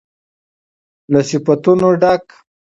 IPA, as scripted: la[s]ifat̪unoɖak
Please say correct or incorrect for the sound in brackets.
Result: correct